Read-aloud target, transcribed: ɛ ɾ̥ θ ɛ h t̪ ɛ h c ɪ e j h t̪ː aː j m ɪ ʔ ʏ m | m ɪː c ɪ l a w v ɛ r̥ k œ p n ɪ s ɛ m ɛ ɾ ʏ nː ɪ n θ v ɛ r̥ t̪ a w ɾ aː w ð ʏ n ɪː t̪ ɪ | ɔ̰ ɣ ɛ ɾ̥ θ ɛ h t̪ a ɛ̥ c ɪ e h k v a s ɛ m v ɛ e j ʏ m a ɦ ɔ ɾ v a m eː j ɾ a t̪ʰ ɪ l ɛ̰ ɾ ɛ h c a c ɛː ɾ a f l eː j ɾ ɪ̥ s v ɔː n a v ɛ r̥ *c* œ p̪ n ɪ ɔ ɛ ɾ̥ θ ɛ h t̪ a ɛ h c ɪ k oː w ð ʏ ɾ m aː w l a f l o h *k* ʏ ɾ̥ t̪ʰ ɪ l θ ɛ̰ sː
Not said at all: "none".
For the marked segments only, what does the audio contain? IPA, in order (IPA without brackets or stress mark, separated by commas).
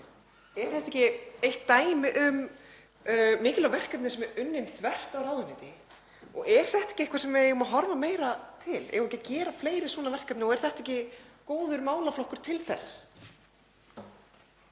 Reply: k, k